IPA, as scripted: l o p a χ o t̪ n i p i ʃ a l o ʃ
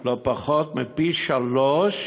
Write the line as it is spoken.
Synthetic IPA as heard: l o p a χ o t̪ m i p i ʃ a l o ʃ